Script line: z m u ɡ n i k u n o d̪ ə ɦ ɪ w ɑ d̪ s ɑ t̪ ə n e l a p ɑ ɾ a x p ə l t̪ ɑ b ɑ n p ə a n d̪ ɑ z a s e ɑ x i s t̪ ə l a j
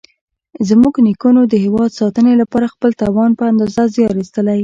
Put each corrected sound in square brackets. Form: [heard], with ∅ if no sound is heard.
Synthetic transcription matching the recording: z m u ɡ n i k u n o d̪ ə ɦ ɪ w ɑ d̪ s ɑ t̪ ə n e l a p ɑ ɾ a x p ə l t̪ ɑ [w] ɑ n p ə a n d̪ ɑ z a [z] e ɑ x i s t̪ ə l a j